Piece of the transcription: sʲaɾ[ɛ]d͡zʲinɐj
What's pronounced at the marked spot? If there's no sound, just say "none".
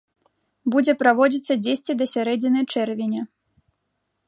ɛ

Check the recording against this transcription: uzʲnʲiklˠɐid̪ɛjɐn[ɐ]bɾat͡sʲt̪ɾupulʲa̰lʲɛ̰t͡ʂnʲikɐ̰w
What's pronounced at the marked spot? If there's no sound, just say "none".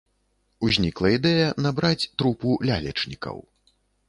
a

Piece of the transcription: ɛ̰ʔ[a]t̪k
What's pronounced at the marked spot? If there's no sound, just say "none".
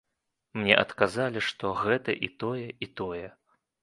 ɐ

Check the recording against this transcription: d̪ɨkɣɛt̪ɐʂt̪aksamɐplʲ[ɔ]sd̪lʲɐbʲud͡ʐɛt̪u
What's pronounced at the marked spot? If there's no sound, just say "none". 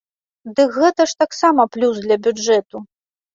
u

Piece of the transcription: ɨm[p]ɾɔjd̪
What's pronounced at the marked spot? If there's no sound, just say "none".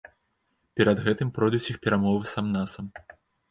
p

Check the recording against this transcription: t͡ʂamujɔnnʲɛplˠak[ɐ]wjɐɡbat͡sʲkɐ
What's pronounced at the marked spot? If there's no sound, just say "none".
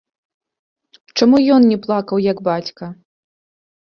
ɐ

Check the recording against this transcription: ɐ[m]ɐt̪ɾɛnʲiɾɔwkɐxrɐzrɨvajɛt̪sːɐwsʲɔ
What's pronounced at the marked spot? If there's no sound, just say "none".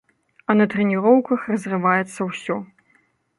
n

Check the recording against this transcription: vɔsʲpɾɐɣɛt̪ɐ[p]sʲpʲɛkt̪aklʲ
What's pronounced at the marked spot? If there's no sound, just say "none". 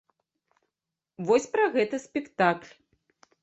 none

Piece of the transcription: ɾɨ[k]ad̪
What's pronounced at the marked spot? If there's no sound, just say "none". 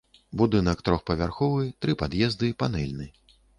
p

